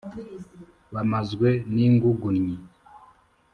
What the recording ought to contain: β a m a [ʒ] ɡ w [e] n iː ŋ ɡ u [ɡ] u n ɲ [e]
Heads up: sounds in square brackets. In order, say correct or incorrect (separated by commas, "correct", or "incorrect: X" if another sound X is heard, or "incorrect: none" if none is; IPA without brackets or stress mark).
incorrect: z, correct, correct, incorrect: i